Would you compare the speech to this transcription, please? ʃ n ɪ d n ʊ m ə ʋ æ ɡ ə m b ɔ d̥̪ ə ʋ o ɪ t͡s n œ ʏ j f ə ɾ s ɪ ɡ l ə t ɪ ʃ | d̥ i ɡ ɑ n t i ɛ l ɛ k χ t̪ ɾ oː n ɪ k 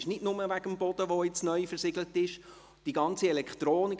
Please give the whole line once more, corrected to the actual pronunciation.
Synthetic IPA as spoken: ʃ n ɪ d n ʊ m ə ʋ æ ɡ ə m b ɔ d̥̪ ə ʋ o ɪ t͡s n œ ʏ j f ə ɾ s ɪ ɡ l ə t ɪ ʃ | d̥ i ɡ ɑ n t͡s i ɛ l ɛ k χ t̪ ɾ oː n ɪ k